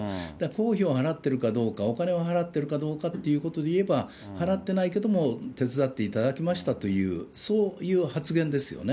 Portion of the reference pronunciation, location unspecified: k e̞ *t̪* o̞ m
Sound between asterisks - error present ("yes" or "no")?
yes